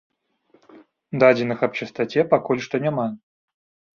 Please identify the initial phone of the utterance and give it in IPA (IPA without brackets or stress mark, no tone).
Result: d̪